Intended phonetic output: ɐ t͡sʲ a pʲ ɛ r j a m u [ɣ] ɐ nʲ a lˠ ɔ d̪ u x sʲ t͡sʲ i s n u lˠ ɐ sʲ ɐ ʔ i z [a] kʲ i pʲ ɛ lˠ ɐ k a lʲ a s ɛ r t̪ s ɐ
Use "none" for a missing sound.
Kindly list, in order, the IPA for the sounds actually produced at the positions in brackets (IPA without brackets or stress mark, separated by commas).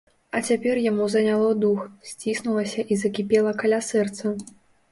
z, ɐ